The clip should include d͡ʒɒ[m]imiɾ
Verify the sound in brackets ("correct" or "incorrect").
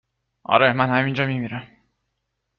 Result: correct